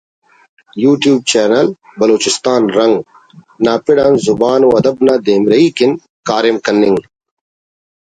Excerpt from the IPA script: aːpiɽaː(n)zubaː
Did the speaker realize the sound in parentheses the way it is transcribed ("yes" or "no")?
yes